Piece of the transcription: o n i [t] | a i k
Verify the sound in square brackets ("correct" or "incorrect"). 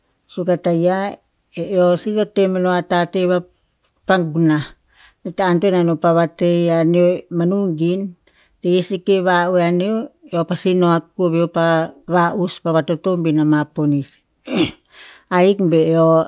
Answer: incorrect